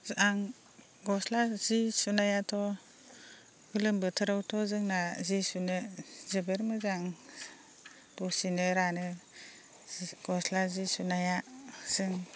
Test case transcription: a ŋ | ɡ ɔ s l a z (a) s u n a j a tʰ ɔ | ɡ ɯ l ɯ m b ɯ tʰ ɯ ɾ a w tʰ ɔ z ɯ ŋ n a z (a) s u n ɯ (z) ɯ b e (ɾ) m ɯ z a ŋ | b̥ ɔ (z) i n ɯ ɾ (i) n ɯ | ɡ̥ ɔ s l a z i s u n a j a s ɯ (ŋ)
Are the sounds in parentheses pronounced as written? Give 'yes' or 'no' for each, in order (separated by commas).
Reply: no, no, yes, yes, no, no, yes